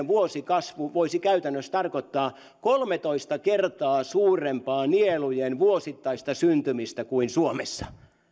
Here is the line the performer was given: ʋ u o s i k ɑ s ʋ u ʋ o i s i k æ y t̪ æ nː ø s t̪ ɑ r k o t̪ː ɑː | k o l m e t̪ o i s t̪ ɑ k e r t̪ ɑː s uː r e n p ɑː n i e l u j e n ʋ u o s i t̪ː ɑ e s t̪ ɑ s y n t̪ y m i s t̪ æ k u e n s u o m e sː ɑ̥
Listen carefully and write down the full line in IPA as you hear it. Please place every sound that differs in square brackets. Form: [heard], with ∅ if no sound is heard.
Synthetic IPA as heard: ʋ u o s i k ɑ s ʋ u ʋ o i s i k æ y t̪ æ nː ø s t̪ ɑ r k o t̪ː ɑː | k o l m e t̪ o i s t̪ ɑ k e r t̪ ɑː s uː r e [m] p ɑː n i e l u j e n ʋ u o s i t̪ː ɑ [i] s t̪ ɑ s y n t̪ y m i s t̪ æ k u [i] n s u o m e sː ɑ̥